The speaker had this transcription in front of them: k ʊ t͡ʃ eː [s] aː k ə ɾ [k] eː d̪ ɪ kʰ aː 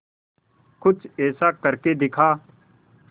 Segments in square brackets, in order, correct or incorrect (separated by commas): correct, correct